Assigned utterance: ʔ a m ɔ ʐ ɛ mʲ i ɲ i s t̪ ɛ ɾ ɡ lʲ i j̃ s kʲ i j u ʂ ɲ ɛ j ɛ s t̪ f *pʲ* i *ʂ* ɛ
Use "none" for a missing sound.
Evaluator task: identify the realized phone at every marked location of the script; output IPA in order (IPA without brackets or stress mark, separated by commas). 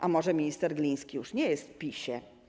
pʲ, ɕ